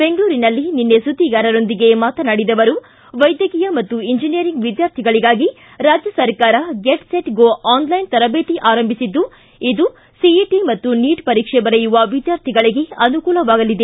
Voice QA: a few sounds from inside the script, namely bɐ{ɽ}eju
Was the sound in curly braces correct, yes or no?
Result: no